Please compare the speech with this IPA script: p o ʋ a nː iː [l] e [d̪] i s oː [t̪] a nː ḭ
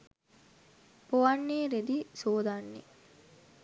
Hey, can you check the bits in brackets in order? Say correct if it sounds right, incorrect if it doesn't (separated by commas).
incorrect, correct, incorrect